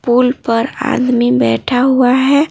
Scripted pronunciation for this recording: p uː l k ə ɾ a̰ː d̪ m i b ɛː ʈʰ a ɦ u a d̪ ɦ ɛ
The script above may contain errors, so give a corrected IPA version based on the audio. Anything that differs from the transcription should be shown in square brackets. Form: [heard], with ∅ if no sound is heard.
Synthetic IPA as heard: p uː l [p] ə ɾ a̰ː d̪ m i b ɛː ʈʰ a ɦ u a [∅] ɦ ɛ